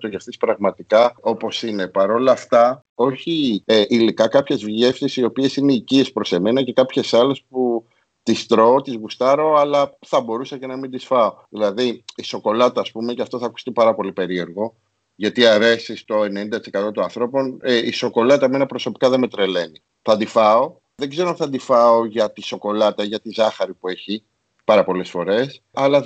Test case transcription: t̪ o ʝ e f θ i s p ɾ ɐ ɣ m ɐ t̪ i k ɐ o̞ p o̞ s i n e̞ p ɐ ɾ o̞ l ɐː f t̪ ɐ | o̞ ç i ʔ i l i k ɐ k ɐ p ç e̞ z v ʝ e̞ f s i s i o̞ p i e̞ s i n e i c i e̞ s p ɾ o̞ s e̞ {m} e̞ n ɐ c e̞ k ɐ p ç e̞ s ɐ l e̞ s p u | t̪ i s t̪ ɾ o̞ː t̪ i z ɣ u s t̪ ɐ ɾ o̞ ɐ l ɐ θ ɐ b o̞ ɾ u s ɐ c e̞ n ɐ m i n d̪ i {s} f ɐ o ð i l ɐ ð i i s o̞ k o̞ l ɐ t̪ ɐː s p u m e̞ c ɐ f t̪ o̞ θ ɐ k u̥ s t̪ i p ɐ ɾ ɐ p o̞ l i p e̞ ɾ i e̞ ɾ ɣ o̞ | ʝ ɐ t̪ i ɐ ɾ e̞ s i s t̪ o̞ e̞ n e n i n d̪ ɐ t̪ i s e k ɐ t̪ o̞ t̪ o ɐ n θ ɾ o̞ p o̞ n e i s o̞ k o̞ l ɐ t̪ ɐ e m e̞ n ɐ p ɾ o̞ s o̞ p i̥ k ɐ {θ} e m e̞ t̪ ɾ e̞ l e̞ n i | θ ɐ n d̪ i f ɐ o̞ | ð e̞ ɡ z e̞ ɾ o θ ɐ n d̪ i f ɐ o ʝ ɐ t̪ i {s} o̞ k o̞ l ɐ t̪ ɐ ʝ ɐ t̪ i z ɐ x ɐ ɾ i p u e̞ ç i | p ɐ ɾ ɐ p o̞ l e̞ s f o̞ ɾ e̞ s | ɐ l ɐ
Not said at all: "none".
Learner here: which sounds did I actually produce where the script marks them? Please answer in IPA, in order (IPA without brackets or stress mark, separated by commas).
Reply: m, s, ð, s